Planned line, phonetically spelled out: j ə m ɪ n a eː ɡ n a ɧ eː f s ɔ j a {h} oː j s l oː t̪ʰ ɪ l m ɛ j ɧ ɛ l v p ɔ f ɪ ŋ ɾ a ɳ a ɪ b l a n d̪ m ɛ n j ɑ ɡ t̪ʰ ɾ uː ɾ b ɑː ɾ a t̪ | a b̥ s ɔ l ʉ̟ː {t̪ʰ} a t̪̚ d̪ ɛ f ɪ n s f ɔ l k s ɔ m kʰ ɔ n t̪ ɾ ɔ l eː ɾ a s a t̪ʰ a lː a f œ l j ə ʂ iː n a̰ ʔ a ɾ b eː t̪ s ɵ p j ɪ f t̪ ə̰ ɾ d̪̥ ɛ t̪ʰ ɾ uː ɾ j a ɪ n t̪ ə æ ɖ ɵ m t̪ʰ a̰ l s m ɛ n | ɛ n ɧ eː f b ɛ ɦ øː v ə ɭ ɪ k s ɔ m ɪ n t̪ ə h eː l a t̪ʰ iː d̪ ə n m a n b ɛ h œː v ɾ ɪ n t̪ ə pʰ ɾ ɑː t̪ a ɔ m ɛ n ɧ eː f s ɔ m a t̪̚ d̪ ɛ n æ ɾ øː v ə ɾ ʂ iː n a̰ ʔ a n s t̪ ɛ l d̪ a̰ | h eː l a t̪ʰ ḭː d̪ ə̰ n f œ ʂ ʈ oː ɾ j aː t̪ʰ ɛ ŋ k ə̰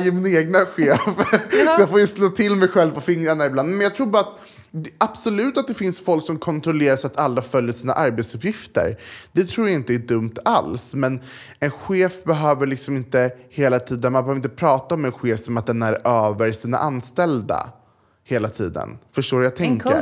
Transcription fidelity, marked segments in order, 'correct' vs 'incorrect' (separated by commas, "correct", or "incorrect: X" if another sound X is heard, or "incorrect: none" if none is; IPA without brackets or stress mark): incorrect: f, incorrect: t̪